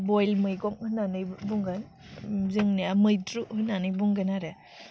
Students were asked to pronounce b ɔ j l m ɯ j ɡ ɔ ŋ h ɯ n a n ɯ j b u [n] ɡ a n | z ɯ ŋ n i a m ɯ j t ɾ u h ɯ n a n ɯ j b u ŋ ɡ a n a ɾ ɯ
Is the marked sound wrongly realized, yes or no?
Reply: yes